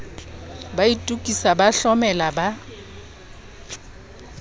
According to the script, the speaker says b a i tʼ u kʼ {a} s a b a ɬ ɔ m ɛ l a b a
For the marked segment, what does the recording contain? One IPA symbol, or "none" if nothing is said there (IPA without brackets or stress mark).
i